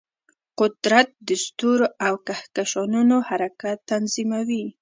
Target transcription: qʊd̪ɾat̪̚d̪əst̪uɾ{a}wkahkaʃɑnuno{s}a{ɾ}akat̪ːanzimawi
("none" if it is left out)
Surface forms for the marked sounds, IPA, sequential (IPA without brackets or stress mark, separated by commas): a, h, ɾ